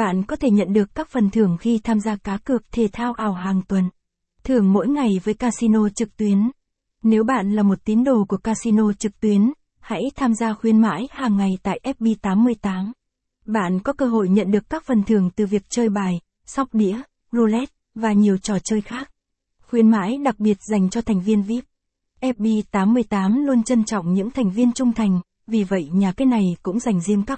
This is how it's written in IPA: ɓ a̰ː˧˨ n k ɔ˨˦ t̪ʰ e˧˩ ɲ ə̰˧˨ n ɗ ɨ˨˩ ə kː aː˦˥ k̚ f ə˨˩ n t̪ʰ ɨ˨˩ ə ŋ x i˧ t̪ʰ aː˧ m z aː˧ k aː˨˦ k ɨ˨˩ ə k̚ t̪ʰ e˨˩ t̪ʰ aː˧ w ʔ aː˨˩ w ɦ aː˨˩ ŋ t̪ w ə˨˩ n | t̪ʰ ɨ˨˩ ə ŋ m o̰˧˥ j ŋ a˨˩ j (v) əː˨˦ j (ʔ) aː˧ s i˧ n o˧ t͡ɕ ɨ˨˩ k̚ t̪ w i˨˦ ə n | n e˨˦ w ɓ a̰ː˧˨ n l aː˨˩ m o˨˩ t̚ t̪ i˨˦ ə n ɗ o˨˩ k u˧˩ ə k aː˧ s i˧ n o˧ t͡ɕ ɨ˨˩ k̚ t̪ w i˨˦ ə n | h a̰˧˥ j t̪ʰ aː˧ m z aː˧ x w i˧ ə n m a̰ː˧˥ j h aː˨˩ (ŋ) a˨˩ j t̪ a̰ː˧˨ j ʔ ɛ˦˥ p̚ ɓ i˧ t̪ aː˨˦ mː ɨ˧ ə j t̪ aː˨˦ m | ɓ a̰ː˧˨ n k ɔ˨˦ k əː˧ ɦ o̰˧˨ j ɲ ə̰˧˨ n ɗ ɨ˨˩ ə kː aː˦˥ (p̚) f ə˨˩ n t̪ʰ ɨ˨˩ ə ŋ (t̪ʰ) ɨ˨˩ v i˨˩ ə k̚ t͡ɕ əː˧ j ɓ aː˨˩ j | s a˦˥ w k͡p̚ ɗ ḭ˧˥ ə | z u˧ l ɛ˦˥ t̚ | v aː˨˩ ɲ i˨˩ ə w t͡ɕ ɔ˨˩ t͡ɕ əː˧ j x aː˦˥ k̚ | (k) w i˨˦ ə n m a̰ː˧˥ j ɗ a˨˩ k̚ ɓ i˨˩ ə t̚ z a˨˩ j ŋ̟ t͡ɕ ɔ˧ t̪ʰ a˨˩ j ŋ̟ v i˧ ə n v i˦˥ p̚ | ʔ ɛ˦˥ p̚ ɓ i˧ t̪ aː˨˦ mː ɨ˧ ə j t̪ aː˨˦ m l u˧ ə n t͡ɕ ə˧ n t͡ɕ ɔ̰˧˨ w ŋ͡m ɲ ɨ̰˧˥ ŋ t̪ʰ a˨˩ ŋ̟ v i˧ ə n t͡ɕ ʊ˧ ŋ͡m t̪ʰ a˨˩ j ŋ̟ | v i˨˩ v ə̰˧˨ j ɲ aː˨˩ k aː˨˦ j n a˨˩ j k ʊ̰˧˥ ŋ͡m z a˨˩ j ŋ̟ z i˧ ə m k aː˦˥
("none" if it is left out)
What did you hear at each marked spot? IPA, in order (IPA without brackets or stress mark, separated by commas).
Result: v, k, ŋː, k̚, t̪, x